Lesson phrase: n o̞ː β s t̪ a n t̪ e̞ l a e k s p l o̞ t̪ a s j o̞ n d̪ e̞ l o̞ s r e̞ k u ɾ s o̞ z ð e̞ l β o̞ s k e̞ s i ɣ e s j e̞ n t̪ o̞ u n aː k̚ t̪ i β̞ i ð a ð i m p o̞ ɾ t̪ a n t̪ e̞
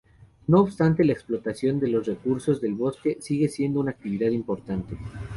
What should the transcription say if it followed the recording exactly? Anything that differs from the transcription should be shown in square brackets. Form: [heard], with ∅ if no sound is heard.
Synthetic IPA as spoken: n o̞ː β s t̪ a n t̪ e̞ l a e k s p l o̞ t̪ a s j o̞ n d̪ e̞ l o̞ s r e̞ k u ɾ s o̞ z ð e̞ l β o̞ s k e̞ s i ɣ e s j e̞ n [d̪] o̞ u n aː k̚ t̪ i β̞ i ð a ð i m p o̞ ɾ t̪ a n t̪ e̞